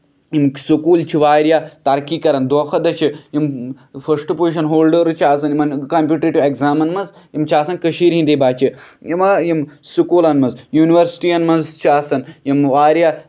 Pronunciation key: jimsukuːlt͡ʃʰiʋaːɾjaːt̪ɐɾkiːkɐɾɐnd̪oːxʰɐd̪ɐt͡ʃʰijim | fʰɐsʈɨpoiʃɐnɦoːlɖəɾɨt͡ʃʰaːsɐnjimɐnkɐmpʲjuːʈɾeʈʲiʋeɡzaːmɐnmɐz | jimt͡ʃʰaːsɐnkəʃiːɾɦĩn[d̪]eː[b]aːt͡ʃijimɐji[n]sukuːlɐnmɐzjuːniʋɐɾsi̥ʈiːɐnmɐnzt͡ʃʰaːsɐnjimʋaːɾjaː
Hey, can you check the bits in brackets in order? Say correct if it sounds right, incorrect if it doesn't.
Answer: correct, correct, incorrect: m

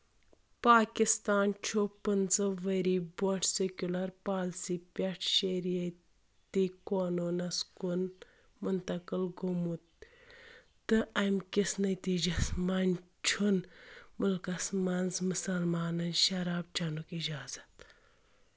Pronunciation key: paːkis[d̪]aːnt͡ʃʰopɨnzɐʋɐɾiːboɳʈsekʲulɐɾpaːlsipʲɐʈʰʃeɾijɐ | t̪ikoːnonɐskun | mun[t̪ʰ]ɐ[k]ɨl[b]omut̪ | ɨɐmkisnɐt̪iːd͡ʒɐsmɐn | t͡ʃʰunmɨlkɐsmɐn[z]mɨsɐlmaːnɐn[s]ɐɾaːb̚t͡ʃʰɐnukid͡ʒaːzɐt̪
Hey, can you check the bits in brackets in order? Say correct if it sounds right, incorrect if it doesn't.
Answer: incorrect: t̪, incorrect: t̪, correct, incorrect: ɡ, correct, incorrect: ʃ

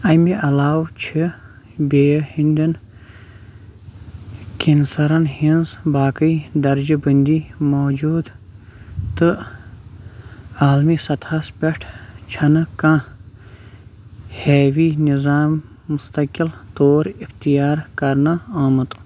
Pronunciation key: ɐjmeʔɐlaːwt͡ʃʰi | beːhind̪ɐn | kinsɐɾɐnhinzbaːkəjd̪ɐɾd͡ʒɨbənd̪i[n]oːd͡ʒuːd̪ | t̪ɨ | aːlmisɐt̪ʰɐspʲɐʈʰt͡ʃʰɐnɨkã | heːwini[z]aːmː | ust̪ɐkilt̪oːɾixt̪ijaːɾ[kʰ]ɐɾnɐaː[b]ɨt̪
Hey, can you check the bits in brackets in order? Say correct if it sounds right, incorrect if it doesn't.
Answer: incorrect: m, correct, incorrect: k, incorrect: m

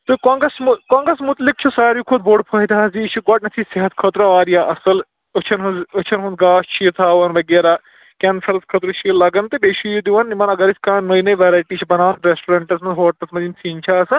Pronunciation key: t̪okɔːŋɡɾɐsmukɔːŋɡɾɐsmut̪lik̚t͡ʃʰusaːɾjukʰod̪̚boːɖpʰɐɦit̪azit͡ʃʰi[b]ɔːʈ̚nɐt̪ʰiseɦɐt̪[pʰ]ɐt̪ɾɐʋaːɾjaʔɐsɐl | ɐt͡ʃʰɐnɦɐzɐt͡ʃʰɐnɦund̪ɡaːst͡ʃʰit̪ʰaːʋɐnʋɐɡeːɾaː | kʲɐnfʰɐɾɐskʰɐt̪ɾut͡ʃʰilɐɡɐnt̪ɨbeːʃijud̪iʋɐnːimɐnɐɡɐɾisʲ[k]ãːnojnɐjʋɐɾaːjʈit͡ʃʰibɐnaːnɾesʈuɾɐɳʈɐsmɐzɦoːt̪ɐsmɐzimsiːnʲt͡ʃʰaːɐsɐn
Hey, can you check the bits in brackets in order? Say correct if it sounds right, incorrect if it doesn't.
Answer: incorrect: ɡ, incorrect: kʰ, correct

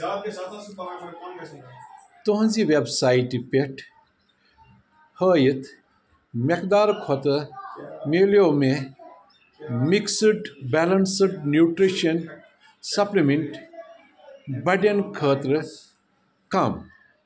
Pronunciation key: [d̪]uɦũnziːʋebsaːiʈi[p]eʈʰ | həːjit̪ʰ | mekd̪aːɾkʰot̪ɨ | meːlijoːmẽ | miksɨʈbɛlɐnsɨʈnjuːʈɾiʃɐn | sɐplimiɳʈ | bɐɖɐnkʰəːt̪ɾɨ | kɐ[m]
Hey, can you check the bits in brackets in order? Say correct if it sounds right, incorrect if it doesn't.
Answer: incorrect: t̪, correct, correct

